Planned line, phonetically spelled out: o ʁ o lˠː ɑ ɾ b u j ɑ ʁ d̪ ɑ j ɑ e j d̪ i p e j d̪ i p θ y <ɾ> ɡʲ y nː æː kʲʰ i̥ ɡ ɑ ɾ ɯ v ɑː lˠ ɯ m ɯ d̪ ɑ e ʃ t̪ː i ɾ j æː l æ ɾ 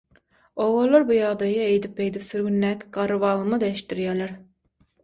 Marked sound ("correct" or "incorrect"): correct